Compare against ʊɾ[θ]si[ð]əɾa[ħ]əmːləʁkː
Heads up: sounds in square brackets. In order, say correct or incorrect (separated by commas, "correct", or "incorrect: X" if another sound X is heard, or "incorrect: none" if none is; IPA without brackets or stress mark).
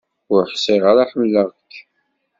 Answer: incorrect: ħ, incorrect: ʁ, correct